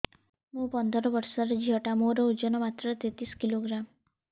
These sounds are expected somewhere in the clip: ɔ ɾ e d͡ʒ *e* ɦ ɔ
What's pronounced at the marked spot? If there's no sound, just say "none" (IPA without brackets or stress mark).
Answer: i